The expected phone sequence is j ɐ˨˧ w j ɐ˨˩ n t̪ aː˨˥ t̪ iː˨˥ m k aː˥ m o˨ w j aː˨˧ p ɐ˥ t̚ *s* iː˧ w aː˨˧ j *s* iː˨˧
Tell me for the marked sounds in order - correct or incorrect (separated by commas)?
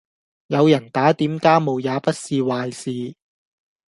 correct, correct